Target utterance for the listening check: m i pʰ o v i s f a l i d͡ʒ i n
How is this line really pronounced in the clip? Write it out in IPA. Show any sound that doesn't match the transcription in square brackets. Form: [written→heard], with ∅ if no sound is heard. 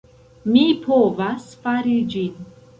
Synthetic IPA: m i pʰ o v [i→a] s f a [l→ɾ] i d͡ʒ i n